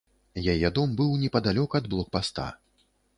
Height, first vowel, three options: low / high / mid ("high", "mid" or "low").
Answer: low